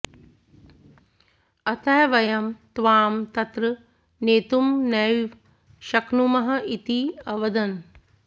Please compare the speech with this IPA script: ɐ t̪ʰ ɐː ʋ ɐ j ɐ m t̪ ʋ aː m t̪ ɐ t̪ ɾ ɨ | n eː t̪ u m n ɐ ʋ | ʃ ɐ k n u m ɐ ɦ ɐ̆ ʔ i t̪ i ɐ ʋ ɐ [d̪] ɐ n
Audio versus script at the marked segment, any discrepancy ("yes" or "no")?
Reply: no